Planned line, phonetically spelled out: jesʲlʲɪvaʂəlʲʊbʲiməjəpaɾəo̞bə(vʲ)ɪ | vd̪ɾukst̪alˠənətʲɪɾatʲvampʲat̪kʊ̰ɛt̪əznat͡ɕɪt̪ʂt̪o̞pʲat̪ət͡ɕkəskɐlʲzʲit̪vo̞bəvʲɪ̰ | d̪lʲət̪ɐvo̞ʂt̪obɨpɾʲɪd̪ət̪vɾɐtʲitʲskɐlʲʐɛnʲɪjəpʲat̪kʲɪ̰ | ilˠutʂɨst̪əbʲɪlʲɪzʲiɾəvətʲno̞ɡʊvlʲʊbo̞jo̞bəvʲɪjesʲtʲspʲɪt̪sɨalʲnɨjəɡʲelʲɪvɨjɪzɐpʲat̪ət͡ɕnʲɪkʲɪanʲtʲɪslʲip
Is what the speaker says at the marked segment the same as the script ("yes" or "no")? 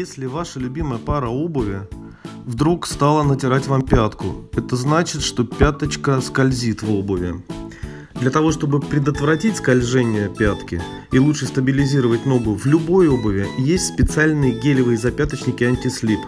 yes